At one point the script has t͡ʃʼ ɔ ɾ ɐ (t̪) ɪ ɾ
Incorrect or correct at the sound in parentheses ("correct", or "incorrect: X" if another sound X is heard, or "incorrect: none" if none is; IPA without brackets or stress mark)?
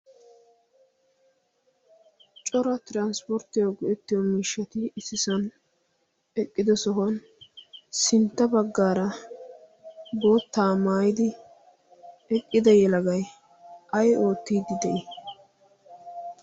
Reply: correct